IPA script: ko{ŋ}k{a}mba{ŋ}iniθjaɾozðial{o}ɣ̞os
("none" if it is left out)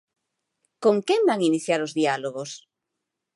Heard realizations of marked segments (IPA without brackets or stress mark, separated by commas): ŋ, e, ŋ, o